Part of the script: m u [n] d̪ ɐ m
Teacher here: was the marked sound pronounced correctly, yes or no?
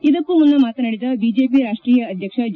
yes